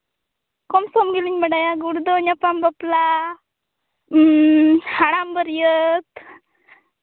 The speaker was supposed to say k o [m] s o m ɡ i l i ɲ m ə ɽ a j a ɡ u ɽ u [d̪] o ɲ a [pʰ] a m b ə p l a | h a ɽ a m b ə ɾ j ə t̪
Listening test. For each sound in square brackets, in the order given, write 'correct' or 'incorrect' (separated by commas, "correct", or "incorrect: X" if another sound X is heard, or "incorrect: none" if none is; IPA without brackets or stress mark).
correct, correct, incorrect: p